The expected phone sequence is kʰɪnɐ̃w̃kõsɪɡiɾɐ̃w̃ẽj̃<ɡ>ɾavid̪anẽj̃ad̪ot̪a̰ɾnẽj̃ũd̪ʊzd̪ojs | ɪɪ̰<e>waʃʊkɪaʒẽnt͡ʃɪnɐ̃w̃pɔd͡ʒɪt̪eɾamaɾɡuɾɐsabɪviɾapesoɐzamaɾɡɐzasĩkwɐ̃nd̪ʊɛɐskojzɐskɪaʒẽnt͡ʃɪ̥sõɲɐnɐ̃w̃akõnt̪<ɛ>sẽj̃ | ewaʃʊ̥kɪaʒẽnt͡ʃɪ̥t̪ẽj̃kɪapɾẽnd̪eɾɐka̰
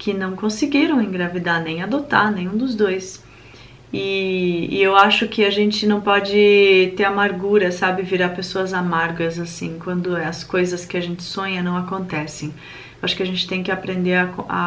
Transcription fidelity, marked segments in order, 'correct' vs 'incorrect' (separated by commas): correct, correct, correct